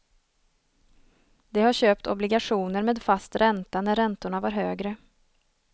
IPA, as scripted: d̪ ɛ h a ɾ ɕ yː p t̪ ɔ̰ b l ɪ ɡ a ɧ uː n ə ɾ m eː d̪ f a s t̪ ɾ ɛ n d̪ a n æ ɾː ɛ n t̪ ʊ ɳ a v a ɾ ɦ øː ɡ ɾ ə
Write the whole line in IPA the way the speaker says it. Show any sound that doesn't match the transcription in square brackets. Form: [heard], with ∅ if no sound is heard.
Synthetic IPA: d̪ ɛ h a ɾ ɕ [øː] p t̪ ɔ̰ b l ɪ ɡ a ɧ uː n ə ɾ m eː d̪ f a s t̪ ɾ ɛ n [t̪] a n æ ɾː ɛ n t̪ ʊ ɳ a v a ɾ ɦ øː ɡ ɾ ə